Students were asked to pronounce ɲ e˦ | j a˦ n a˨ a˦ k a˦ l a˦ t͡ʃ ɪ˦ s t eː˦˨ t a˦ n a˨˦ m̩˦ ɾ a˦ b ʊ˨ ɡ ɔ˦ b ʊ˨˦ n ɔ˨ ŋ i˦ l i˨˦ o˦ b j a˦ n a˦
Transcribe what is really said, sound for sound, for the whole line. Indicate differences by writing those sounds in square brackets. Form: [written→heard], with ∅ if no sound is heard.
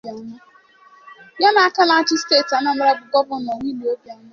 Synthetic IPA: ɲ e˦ | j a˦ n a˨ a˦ k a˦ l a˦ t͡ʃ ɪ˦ s t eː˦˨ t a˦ n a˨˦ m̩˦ ɾ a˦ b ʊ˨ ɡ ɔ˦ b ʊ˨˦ n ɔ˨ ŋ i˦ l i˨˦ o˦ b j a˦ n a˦